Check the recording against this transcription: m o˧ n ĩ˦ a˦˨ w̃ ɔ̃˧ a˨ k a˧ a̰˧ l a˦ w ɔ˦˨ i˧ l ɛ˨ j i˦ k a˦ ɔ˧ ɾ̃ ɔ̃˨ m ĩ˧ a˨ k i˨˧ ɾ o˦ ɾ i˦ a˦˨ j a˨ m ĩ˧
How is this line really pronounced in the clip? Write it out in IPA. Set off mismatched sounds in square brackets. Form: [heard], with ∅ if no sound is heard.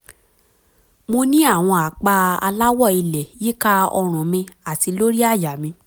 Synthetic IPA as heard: m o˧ n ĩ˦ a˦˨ w̃ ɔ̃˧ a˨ [k͡p] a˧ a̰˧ l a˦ w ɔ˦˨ i˧ l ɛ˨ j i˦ k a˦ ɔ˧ ɾ̃ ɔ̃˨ m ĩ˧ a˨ [t] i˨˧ [l] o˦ ɾ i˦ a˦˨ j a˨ m ĩ˧